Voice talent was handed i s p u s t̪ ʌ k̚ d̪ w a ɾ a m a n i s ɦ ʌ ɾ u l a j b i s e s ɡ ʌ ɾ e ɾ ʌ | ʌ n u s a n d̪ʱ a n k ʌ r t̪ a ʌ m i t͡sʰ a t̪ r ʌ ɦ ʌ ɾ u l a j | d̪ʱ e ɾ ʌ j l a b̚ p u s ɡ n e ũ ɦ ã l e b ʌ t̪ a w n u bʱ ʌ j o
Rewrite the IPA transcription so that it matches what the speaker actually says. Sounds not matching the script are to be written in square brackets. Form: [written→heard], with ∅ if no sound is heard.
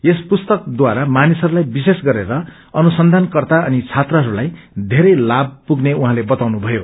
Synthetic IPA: [i→e] s p u s t̪ ʌ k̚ d̪ w a ɾ a m a n i s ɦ ʌ ɾ u l a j b i s e s ɡ ʌ ɾ e ɾ ʌ | ʌ n u s [a→ʌ] n d̪ʱ a n k ʌ r t̪ a ʌ [m→n] i t͡sʰ a t̪ r ʌ ɦ ʌ ɾ u l a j | d̪ʱ e ɾ ʌ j l a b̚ p u [s→∅] ɡ n e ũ ɦ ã l e b ʌ t̪ a w n u bʱ ʌ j o